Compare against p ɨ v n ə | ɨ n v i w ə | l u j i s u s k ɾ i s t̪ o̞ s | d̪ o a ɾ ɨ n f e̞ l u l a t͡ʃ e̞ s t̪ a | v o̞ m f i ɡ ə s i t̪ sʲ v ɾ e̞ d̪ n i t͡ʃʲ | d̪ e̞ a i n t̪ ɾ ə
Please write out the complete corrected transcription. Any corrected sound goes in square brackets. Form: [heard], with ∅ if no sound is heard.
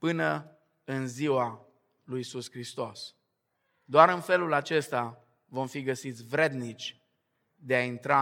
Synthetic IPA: p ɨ [∅] n ə | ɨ n [z] i w [a] | l u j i s u s k ɾ i s t̪ o̞ s | d̪ o a ɾ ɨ n f e̞ l u l a t͡ʃ e̞ s t̪ a | v o̞ m f i ɡ ə s i t̪ sʲ v ɾ e̞ d̪ n i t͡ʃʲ | d̪ e̞ a i n t̪ ɾ [a]